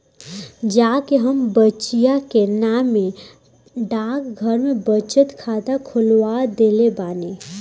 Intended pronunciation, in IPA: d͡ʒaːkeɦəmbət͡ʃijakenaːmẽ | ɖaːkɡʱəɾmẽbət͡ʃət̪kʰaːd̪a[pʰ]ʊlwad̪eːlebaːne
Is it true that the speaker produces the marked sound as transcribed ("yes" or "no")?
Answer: no